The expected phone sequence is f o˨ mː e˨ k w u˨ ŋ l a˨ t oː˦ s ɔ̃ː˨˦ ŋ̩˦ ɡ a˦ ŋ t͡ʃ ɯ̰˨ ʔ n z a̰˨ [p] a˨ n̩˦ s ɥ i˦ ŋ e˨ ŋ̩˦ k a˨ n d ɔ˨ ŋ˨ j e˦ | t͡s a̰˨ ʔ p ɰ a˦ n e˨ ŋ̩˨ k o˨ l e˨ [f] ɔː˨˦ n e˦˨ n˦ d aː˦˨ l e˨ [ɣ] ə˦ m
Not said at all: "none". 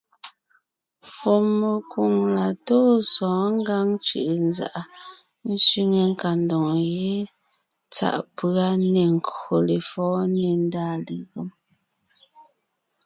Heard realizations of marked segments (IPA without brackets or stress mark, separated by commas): ʔ, f, ɣ